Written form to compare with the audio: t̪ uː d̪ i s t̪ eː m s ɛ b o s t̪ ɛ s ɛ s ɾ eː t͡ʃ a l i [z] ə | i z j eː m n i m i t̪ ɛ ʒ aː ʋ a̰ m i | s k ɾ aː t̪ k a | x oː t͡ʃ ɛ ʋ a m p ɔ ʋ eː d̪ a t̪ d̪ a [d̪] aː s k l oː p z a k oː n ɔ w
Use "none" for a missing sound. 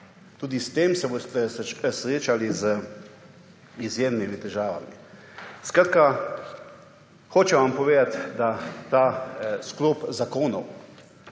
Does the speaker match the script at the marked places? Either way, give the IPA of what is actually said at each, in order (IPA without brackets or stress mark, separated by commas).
z, t̪